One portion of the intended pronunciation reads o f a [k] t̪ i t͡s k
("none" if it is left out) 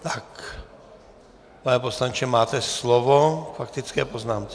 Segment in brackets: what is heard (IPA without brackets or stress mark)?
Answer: k